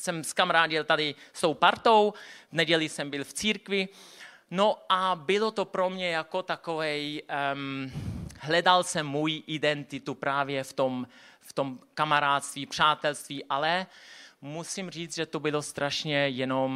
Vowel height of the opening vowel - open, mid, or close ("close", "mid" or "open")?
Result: mid